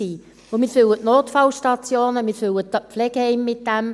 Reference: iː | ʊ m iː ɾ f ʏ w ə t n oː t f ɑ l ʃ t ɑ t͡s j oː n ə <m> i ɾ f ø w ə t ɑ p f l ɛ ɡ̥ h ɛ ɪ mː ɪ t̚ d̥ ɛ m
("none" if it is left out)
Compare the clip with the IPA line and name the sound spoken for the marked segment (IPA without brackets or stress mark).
m